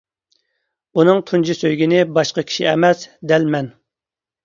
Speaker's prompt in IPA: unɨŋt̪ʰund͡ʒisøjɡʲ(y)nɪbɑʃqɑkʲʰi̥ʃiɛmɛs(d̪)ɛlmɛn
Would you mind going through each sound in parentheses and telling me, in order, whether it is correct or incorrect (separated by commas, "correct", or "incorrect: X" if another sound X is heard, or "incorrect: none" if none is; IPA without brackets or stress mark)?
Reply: incorrect: i, correct